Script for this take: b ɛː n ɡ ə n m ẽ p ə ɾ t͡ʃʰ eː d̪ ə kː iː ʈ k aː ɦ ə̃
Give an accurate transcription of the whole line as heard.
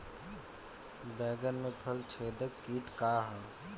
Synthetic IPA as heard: b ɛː ɡ ə n m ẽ pʰ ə l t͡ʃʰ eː d̪ ə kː iː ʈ k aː ɦ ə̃